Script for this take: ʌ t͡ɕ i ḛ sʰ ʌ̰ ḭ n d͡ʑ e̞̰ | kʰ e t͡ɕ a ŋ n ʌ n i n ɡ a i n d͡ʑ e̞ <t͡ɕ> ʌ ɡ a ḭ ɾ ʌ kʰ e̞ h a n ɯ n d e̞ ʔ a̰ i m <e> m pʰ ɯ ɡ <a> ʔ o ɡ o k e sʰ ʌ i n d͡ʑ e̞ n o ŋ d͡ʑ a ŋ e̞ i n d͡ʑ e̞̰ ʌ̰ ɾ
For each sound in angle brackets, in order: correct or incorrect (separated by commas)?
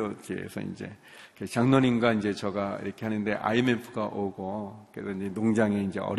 correct, correct, correct